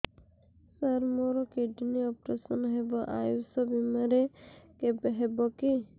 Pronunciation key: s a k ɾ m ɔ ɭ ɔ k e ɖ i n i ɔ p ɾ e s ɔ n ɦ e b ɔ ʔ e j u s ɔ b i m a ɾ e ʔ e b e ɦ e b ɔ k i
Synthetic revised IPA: s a ɾ m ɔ ɾ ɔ k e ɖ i n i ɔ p ɾ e s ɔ n ɦ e b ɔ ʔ a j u s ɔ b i m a ɾ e k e b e ɦ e b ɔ k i